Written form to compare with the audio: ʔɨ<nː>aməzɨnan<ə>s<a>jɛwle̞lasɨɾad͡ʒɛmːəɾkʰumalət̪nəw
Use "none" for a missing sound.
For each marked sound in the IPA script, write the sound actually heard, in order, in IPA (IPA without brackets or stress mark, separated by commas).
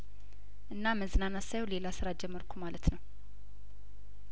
nː, a, a